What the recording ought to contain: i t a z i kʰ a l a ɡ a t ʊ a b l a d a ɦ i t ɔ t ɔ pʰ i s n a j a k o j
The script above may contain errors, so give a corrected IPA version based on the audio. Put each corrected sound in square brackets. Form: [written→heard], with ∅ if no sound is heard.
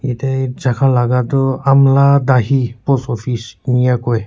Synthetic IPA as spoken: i t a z [i→a] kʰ a l a ɡ a t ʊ a [b→m] l a d a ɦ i [t→p] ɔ [t→s] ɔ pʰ i s n [a→i] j a k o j